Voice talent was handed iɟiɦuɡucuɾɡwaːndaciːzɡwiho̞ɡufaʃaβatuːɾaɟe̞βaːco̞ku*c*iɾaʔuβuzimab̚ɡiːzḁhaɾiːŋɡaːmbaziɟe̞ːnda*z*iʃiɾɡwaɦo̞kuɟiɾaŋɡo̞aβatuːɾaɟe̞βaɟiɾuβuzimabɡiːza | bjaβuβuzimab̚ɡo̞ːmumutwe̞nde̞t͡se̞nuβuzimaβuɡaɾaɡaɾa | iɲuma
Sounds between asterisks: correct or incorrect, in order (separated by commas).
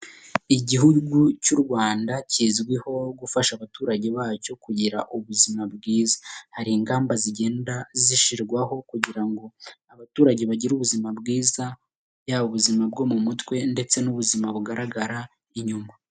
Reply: incorrect, correct